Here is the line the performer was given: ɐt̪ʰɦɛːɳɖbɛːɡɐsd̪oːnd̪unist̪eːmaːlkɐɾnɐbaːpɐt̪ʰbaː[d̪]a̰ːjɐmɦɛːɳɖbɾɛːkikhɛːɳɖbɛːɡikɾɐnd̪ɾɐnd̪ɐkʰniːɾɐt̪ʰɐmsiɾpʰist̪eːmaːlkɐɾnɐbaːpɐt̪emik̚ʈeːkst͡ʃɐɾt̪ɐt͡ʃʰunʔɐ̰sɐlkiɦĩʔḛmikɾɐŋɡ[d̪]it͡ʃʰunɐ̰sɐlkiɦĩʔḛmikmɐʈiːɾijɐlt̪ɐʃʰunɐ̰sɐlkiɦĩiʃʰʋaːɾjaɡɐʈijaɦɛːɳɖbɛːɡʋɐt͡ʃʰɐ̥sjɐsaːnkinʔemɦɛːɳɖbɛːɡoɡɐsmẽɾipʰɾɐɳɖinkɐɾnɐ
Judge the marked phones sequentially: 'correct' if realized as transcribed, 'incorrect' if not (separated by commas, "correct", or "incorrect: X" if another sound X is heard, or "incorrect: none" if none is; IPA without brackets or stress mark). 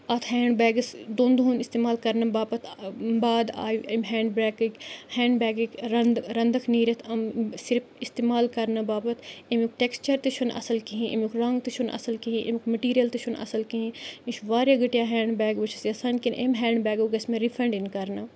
correct, incorrect: t̪